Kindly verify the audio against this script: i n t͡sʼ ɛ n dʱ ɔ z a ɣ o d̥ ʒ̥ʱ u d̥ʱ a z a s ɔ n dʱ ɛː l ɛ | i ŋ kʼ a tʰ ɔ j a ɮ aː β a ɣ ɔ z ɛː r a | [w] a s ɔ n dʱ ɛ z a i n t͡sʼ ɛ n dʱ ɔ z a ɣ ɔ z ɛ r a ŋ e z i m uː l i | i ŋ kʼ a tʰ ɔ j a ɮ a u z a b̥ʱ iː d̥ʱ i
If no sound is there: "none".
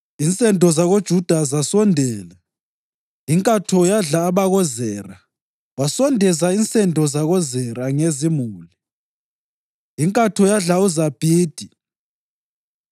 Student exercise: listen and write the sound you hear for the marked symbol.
w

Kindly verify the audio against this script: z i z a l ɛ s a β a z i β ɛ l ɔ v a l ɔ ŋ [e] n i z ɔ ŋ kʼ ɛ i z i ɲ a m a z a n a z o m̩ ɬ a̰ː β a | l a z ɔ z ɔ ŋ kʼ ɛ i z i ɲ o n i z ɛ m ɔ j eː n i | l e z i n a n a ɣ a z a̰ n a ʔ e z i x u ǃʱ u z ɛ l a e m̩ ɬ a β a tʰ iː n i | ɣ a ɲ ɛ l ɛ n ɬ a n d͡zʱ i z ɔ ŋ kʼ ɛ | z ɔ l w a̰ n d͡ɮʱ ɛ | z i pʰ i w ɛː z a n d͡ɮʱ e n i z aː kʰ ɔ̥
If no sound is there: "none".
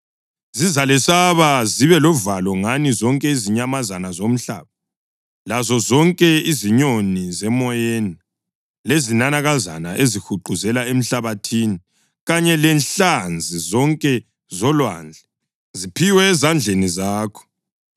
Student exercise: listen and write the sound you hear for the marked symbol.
a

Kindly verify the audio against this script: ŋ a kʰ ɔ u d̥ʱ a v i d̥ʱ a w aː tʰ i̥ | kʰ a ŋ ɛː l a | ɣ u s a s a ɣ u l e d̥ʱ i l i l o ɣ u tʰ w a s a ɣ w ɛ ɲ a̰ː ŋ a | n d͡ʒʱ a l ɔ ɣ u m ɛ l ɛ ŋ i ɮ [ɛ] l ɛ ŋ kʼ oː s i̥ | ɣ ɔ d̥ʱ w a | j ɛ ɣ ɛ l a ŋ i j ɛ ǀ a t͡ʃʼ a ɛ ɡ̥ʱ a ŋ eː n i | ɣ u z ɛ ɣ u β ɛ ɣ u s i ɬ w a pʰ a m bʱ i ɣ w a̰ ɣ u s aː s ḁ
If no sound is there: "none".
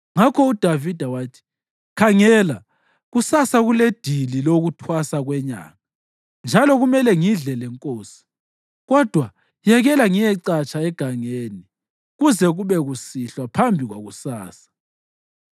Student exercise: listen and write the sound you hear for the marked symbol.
ɛ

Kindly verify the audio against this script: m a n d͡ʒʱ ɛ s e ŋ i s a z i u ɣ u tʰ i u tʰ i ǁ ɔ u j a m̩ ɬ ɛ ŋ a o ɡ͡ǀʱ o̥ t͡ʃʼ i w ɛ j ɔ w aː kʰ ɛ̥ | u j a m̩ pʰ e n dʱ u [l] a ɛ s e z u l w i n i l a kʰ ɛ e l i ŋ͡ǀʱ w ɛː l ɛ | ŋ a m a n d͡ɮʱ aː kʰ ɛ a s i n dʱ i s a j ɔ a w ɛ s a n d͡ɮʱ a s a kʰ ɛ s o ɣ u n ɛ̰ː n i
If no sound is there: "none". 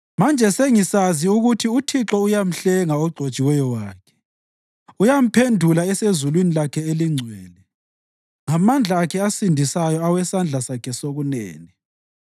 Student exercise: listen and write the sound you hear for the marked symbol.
l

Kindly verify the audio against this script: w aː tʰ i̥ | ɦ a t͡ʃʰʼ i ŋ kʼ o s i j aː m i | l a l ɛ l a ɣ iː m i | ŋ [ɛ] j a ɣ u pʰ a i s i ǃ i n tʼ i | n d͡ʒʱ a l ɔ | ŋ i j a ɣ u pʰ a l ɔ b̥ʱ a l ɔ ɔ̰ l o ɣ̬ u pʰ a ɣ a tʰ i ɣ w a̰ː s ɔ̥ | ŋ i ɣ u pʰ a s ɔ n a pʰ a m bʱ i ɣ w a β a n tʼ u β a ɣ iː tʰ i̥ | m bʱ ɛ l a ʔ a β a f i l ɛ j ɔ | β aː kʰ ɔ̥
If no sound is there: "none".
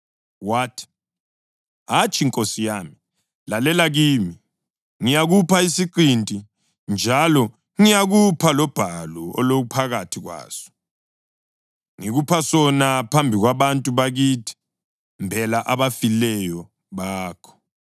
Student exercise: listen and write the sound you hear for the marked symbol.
i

